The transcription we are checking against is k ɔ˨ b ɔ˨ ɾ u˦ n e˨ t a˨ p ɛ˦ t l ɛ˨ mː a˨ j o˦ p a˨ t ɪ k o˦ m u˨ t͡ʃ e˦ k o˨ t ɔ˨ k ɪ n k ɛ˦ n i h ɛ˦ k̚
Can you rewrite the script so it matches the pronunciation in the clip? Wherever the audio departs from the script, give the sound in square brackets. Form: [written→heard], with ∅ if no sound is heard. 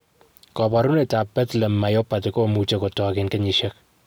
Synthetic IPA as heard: k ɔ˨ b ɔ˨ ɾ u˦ n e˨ t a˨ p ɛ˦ t l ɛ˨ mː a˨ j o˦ p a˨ t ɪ k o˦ m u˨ t͡ʃ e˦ k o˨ t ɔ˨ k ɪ n k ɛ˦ [n→ɲ] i [h→ʃ] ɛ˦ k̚